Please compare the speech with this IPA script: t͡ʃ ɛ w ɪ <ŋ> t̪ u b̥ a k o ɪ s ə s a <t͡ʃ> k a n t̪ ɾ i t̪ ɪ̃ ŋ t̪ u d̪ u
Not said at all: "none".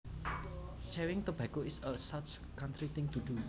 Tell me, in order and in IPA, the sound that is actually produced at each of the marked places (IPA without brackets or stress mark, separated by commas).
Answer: ŋ, t͡ʃ